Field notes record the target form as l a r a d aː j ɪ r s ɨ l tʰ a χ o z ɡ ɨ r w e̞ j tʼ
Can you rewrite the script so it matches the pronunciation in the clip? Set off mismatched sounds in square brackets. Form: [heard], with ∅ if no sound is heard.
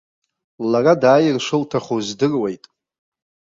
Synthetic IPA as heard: l a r a d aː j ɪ r [ʂ] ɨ l tʰ a χ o z [d] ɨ r w e̞ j tʼ